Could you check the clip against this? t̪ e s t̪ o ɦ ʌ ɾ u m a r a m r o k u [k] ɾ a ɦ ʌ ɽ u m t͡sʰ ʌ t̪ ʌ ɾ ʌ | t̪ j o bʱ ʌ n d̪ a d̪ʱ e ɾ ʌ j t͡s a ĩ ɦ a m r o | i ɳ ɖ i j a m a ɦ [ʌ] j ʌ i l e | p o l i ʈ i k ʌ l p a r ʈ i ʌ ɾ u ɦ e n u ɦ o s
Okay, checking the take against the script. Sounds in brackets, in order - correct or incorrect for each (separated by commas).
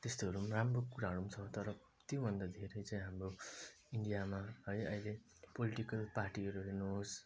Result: incorrect, correct